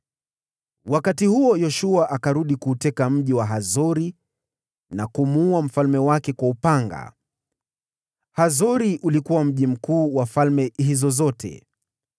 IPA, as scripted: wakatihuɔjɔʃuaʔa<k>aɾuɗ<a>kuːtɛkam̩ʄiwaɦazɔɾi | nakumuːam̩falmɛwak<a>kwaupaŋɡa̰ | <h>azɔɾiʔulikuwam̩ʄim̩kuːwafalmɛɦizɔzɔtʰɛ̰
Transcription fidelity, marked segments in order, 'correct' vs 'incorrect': correct, incorrect: i, incorrect: ɛ, correct

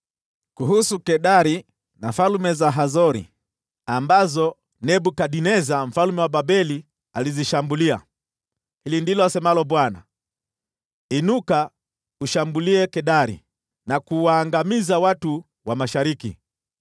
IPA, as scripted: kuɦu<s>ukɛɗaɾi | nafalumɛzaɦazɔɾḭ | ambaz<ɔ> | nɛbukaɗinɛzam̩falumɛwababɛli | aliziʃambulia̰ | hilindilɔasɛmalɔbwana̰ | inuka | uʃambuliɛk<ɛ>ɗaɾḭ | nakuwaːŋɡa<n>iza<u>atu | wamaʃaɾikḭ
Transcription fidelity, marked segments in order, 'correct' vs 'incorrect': correct, correct, correct, incorrect: m, incorrect: w

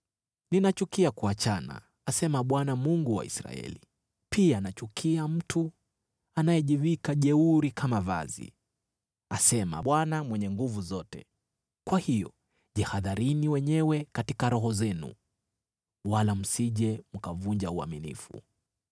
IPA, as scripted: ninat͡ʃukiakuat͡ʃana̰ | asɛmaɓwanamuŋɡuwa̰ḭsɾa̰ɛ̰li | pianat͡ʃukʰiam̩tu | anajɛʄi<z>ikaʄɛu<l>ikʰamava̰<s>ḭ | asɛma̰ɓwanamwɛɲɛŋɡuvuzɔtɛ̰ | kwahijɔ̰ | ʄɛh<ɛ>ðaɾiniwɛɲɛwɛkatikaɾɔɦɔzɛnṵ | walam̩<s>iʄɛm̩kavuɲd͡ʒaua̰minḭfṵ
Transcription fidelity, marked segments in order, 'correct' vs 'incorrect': incorrect: v, incorrect: ɾ, incorrect: z, incorrect: a, correct

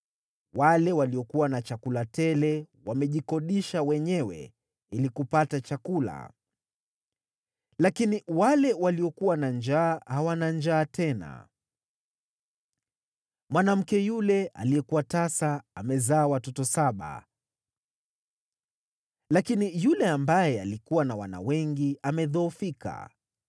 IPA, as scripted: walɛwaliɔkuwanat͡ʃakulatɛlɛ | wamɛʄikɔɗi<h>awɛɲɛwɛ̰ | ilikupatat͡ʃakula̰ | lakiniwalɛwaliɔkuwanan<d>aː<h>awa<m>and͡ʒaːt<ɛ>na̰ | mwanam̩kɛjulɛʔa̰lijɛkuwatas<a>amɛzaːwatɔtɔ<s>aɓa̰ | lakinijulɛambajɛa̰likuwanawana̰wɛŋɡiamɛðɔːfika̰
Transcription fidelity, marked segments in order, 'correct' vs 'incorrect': incorrect: ʃ, incorrect: d͡ʒ, correct, incorrect: n, correct, correct, correct

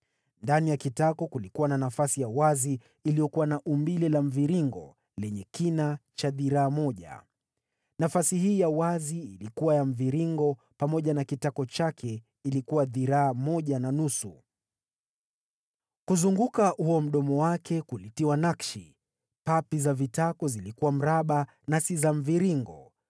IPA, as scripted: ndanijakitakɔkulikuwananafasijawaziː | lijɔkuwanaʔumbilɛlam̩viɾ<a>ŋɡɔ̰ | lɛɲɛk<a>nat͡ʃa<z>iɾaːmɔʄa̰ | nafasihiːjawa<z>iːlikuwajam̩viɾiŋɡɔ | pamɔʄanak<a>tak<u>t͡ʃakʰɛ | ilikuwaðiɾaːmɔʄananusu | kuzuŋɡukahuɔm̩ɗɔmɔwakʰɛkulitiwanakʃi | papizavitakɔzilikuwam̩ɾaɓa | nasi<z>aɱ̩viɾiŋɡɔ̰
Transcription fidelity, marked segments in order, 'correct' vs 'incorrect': incorrect: i, incorrect: i, incorrect: ð, correct, incorrect: i, incorrect: ɔ, correct

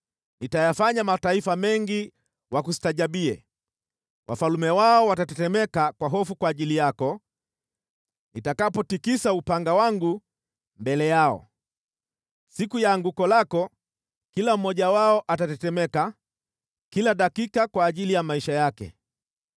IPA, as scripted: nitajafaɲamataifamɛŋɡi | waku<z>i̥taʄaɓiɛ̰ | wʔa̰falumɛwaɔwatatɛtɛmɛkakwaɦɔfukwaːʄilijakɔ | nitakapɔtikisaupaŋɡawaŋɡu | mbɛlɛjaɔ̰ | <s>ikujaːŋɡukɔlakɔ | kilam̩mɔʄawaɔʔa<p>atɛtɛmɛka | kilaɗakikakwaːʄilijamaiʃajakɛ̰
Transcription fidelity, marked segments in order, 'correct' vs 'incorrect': incorrect: s, correct, incorrect: t

